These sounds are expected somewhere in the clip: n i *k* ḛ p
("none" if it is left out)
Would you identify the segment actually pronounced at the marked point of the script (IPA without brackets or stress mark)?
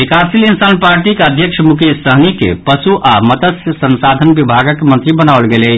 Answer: k